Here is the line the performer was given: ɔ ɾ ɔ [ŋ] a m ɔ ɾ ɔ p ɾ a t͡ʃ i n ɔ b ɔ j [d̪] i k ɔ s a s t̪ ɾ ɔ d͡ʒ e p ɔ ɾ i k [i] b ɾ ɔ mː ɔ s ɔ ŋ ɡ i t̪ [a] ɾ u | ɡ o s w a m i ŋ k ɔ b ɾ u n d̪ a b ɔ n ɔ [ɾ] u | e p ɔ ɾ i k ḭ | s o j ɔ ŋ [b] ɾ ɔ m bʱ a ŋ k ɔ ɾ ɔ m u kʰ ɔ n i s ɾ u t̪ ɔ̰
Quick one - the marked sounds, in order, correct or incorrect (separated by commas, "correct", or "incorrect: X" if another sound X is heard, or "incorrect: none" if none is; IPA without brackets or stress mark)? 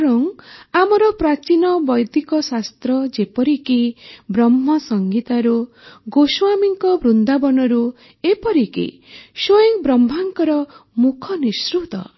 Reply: correct, correct, correct, correct, correct, correct